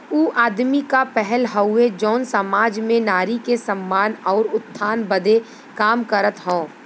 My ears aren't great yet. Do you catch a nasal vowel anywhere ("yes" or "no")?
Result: yes